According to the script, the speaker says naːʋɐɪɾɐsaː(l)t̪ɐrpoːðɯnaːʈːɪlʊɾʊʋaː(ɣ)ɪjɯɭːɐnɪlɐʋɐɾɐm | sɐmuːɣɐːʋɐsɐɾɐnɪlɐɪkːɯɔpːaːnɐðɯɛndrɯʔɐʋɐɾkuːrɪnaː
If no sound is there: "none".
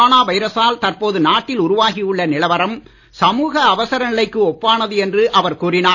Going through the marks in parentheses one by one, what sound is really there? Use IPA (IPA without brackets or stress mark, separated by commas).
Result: l, ɣ